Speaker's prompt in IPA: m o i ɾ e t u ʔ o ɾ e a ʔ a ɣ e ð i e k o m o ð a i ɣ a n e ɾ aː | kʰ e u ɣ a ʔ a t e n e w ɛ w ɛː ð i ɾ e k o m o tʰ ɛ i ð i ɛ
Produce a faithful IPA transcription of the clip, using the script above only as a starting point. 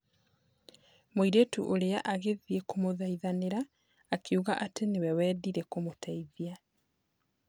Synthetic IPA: m o i ɾ e t u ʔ o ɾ e a ʔ a ɣ e ð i e k o m o ð a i ð a n e ɾ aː | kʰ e u ɣ a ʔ a t e n e w ɛ w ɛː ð i ɾ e k o m o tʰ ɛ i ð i a